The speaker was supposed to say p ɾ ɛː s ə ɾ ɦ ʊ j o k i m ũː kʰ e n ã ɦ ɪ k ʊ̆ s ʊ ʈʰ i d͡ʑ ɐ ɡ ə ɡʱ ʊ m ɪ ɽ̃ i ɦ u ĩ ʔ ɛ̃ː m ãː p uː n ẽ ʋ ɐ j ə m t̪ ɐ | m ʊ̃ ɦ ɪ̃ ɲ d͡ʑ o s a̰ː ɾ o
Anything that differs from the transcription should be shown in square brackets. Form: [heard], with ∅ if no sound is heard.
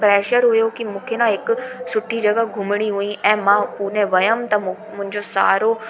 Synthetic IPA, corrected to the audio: p ɾ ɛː [ʃ] ə ɾ ɦ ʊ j o k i m ũː kʰ e n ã ɦ ɪ k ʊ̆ s ʊ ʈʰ i d͡ʑ ɐ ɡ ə ɡʱ ʊ m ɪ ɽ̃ i ɦ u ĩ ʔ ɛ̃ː m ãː p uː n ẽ ʋ ɐ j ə m t̪ ɐ | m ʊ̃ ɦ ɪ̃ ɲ d͡ʑ o s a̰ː ɾ o